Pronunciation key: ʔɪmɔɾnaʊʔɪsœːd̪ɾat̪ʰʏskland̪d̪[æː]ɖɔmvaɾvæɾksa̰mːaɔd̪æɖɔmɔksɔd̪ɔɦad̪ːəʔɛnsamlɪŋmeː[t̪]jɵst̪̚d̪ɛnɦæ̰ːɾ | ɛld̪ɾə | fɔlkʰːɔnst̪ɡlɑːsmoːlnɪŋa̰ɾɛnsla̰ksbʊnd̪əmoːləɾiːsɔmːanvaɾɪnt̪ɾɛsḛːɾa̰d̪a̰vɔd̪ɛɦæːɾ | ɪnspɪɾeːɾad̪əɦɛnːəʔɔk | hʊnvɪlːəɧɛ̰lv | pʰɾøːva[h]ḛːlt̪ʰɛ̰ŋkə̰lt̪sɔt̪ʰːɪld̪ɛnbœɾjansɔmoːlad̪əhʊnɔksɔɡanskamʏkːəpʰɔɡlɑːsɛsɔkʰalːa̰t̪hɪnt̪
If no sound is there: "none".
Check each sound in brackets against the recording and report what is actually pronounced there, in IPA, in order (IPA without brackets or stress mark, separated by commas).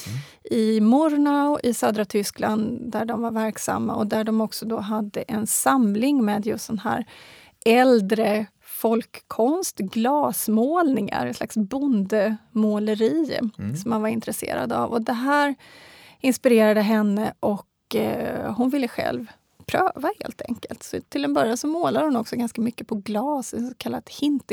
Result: æ, d̪, h